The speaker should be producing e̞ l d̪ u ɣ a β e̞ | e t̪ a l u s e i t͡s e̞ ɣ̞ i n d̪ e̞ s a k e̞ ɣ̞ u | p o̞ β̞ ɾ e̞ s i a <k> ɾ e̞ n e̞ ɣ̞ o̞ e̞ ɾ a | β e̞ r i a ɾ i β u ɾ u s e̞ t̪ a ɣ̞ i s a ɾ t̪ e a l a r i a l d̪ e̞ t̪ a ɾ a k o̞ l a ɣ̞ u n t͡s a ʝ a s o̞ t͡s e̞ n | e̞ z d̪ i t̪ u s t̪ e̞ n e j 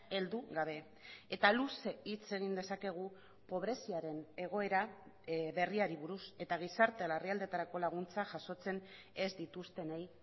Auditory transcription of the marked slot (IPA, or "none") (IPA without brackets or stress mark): none